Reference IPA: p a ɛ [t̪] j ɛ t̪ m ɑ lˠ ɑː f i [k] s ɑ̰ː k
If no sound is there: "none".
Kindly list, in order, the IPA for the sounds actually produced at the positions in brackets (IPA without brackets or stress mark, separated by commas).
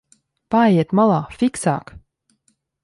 none, k